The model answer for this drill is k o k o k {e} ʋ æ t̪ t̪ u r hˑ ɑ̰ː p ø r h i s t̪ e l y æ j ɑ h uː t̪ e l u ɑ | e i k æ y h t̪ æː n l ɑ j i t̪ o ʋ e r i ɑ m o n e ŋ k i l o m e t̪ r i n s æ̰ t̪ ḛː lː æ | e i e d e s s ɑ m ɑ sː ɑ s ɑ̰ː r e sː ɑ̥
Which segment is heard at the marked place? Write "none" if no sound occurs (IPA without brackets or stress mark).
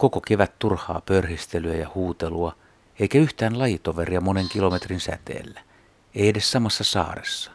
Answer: e